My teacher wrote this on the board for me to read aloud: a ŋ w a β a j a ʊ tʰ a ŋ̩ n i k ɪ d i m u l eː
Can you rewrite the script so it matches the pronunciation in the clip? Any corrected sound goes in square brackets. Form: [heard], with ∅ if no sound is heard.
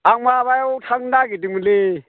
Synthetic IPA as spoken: a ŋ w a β a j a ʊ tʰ a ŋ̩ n [a] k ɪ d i m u l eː